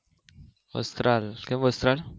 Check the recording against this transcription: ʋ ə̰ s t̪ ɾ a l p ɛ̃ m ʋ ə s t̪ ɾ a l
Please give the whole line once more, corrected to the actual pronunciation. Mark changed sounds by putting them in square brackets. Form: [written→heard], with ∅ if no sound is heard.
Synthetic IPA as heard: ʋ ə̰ s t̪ ɾ a l [p→k] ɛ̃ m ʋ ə s t̪ ɾ a l